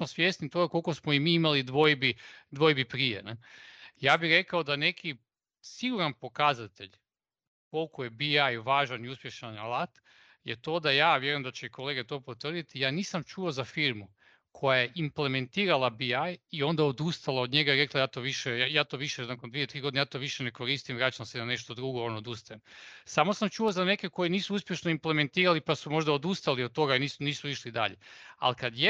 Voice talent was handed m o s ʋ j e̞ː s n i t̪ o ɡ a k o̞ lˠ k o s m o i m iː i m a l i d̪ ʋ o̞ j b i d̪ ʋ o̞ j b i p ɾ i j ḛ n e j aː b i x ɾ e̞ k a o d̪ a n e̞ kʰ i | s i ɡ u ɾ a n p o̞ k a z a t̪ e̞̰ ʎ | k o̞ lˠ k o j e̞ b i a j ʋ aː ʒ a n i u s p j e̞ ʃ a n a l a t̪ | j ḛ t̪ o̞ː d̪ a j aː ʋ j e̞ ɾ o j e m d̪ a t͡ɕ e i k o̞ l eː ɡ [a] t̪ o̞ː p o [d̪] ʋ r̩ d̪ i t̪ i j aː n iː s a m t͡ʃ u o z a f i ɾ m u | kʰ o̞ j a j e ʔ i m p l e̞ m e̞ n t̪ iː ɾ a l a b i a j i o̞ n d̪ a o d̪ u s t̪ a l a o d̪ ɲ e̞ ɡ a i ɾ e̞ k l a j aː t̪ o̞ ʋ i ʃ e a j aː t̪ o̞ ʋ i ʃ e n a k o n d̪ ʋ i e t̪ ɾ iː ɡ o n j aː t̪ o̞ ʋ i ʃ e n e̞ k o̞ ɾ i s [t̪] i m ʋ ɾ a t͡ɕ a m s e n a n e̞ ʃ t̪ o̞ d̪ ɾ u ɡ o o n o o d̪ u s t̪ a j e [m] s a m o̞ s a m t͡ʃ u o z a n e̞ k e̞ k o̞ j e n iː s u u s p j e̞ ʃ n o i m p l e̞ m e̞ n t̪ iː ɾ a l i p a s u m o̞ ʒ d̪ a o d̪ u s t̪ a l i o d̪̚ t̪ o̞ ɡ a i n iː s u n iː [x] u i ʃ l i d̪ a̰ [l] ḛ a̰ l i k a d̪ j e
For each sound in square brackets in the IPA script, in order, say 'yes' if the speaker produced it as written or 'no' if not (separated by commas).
no, no, yes, yes, no, no